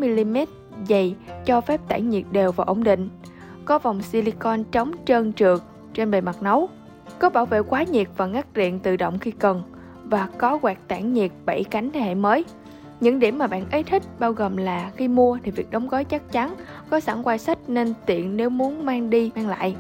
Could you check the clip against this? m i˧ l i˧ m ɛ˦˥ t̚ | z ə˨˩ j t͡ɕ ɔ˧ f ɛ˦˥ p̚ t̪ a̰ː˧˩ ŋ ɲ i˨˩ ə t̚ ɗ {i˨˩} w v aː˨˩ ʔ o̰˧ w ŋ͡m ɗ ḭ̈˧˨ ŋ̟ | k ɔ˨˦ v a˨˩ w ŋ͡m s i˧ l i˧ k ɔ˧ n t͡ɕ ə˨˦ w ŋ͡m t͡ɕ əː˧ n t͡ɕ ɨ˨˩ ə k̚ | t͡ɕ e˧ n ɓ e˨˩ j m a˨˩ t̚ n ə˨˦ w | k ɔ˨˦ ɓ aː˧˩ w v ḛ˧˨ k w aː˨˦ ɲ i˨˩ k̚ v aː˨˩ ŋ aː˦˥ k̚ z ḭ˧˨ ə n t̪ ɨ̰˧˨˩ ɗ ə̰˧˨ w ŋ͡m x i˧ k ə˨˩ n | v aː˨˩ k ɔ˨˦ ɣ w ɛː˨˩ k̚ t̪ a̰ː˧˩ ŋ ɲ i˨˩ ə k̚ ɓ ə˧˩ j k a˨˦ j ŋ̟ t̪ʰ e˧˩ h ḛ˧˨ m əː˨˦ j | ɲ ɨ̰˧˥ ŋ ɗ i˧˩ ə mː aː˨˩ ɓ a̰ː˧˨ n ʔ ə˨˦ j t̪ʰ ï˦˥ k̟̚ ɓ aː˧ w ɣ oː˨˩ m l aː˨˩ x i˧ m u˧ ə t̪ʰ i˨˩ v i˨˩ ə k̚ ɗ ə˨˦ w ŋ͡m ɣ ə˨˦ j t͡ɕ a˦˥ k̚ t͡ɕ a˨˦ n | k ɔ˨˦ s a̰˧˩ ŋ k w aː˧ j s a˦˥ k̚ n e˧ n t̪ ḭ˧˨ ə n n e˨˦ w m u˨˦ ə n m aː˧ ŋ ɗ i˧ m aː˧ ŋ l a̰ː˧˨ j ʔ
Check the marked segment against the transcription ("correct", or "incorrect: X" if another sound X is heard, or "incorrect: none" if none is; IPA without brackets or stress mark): incorrect: e˨˩